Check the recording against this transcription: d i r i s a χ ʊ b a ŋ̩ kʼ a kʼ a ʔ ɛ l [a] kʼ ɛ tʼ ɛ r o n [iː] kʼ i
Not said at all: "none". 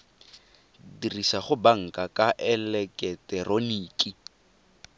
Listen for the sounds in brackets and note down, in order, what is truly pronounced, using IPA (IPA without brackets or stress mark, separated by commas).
ɛ, iː